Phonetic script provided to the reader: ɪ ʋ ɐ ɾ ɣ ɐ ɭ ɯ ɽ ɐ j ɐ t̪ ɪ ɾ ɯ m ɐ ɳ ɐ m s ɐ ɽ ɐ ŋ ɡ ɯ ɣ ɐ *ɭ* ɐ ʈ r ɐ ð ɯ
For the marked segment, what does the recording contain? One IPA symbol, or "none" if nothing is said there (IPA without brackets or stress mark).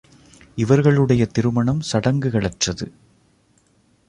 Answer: ɭ